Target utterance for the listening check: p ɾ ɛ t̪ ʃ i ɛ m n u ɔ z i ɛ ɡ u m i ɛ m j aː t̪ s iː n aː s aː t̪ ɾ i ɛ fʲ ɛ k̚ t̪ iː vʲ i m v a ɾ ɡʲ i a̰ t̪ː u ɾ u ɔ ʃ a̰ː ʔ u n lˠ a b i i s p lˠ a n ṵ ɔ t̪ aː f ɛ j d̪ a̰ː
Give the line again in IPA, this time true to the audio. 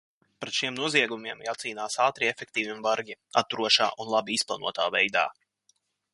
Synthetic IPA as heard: p ɾ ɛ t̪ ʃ i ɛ m n u ɔ z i ɛ ɡ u m i ɛ m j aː t̪ s iː n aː s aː t̪ ɾ i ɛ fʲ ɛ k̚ t̪ iː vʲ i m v a ɾ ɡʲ i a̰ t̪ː u ɾ u ɔ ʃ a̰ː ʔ u n lˠ a b i i s p lˠ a n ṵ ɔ t̪ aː v ɛ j d̪ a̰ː